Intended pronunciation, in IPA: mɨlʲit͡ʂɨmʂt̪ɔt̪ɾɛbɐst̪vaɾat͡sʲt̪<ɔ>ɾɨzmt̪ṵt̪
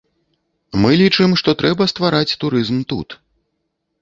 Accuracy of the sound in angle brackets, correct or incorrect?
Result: incorrect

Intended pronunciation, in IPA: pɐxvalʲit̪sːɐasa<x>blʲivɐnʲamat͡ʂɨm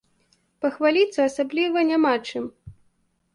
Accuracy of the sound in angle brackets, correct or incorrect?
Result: incorrect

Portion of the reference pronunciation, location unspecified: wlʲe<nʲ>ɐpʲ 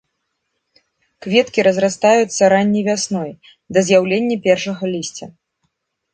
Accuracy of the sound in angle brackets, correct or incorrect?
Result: incorrect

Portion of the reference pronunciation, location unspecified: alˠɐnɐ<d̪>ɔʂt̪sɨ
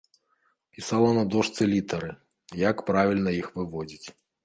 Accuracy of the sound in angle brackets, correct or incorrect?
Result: correct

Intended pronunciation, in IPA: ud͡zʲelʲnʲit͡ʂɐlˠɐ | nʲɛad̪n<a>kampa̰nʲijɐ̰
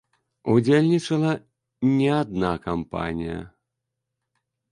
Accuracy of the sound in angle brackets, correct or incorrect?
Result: correct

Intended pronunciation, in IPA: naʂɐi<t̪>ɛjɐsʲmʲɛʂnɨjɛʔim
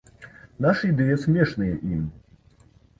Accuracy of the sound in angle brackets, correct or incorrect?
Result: incorrect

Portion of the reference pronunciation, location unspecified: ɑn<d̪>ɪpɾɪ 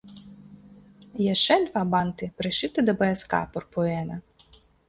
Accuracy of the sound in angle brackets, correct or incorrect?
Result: incorrect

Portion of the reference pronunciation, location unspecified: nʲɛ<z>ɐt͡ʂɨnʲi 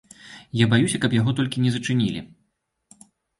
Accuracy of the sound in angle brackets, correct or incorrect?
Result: correct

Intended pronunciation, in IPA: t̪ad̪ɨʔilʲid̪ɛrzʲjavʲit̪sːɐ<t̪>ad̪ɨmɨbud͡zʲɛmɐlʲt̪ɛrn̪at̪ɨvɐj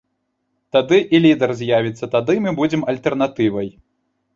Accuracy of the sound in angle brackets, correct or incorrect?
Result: correct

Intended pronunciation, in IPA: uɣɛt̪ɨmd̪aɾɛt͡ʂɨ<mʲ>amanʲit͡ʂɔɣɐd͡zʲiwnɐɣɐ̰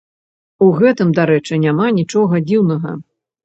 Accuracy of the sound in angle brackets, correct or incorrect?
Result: incorrect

